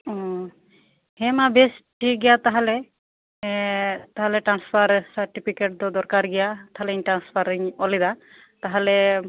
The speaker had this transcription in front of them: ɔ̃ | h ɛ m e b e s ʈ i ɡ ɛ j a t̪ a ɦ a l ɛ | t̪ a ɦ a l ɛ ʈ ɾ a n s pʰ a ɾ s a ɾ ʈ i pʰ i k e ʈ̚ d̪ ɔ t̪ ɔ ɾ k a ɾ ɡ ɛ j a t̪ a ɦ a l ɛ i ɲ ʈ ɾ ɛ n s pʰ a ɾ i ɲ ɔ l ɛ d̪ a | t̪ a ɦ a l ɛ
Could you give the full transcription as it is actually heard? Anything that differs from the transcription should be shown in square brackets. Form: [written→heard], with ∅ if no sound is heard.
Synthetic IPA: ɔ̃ | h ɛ m [e→a] b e s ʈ i ɡ ɛ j a t̪ a ɦ a l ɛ | t̪ a ɦ a l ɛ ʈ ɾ a n s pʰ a ɾ s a ɾ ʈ i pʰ i k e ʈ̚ d̪ ɔ [t̪→d̪] ɔ ɾ k a ɾ ɡ ɛ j a t̪ a ɦ a l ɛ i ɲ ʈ ɾ [ɛ→a] n s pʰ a ɾ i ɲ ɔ l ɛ d̪ a | t̪ a ɦ a l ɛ